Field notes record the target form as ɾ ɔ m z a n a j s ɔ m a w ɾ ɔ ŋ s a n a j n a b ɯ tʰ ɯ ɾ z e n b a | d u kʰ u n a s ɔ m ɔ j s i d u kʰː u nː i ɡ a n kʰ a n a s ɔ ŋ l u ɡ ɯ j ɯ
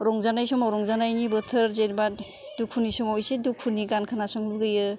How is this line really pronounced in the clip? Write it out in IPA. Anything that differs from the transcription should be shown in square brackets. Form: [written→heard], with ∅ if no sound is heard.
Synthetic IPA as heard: ɾ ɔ [m→ŋ] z a n a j s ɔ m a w ɾ ɔ ŋ [s→z] a n a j n [a→i] b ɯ tʰ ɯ ɾ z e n b a | d u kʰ u n [a→i] s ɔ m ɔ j s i d u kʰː u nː i ɡ a n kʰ a n a s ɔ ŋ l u ɡ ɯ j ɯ